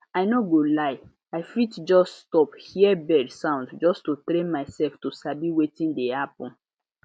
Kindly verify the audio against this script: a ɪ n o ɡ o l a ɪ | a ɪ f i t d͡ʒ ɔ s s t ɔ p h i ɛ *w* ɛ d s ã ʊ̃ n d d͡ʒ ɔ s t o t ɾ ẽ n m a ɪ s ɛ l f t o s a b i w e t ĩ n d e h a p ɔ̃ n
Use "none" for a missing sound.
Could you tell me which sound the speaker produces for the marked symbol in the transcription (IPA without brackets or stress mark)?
b